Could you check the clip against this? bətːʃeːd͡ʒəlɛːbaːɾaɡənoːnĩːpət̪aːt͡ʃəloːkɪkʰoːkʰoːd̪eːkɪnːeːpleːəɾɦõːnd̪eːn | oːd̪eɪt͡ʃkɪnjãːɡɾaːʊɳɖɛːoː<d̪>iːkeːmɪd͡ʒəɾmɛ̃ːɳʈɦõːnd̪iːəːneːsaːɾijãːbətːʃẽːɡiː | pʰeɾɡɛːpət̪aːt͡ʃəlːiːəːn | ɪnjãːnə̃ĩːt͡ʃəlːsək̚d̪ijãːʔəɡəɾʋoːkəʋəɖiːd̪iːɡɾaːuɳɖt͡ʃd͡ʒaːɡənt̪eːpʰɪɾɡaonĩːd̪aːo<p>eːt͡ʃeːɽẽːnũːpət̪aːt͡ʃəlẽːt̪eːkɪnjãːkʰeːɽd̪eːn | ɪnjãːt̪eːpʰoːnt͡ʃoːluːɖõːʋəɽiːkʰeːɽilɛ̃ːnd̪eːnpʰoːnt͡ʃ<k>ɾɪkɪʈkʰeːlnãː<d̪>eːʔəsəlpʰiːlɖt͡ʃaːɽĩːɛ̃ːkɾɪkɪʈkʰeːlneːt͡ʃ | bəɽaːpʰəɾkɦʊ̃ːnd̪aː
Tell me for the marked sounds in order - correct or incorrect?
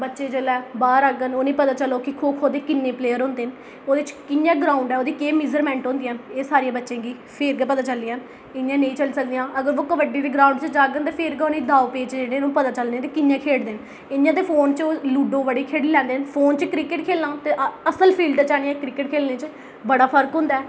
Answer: correct, correct, correct, incorrect

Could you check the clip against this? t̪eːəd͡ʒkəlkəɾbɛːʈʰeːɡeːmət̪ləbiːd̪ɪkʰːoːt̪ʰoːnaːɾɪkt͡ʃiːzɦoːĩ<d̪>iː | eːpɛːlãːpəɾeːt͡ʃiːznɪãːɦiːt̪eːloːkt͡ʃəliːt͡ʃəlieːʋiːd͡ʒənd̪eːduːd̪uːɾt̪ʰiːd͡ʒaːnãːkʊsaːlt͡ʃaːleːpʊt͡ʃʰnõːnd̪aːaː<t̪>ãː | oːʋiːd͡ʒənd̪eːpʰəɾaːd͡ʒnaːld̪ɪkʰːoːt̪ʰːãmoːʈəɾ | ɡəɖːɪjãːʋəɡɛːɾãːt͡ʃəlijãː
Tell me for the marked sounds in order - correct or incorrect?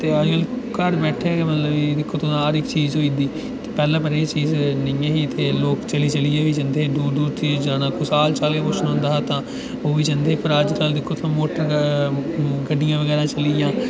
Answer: correct, correct

